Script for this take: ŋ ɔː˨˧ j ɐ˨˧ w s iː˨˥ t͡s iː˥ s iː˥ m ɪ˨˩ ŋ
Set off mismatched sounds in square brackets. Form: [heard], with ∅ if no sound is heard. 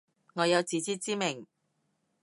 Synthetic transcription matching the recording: ŋ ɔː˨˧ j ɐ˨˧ w [t͡s] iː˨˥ t͡s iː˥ [t͡s] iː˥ m ɪ˨˩ ŋ